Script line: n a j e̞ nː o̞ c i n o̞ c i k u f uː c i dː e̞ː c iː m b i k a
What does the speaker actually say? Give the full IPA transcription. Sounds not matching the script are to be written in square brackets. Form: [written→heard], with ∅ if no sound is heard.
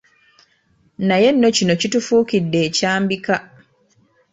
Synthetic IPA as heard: n a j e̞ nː o̞ c i n o̞ c i [k→t] u f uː [c→k] i dː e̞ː c [iː→aː] m b i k a